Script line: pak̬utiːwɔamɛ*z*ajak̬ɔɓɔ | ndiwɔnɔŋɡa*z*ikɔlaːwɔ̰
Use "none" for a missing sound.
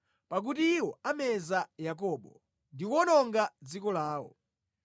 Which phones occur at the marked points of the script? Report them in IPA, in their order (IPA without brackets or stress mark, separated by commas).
z, d͡z